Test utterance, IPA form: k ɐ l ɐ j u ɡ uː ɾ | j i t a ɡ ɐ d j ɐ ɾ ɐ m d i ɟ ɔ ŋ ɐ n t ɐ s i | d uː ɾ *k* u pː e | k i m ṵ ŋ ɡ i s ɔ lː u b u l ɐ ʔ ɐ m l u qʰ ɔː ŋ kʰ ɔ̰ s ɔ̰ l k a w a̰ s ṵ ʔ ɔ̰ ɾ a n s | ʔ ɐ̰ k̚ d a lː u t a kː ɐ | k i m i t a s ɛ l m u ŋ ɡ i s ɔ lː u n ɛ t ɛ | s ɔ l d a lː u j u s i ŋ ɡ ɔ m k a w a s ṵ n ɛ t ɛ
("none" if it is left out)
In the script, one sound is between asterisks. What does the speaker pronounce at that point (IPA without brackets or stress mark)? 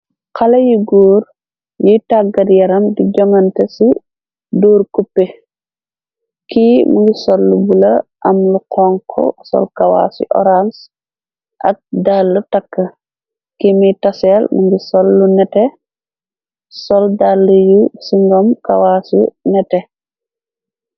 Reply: k